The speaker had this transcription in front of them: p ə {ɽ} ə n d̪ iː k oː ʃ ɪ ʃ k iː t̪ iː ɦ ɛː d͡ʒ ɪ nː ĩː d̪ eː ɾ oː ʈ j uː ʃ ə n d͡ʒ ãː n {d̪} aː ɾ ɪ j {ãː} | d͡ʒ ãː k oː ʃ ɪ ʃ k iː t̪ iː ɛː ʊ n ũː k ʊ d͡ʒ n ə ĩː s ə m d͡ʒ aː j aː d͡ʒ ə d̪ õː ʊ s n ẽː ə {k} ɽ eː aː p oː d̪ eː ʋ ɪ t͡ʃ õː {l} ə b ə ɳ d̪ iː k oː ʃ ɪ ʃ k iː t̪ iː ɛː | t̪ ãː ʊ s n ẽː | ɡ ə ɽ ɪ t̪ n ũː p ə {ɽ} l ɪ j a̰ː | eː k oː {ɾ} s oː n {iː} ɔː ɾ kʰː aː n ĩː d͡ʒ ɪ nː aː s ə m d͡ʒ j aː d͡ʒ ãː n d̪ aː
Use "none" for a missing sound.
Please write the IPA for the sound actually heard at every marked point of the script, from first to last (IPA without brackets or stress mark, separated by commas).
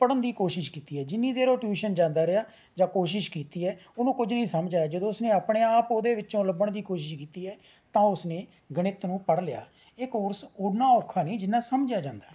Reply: ɽ, d̪, aː, p, l, ɽ, ɾ, aː